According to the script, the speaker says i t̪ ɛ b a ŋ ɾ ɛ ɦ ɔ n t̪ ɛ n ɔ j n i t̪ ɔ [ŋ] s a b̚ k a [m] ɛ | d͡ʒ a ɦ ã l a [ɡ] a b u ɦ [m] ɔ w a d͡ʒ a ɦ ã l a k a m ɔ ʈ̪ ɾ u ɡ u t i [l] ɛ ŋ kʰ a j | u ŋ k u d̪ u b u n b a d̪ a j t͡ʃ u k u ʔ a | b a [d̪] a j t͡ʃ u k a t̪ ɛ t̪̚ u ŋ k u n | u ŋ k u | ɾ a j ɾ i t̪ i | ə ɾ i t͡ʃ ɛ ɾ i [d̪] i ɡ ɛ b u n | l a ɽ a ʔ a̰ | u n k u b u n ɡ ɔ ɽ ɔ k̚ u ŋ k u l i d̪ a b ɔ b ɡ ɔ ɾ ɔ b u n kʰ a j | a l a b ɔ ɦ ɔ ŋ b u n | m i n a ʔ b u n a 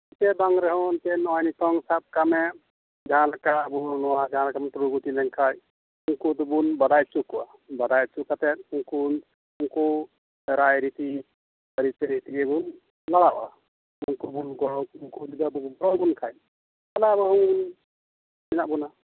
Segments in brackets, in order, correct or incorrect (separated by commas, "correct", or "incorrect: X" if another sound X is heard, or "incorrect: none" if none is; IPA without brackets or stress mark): correct, correct, incorrect: k, incorrect: n, correct, correct, incorrect: t̪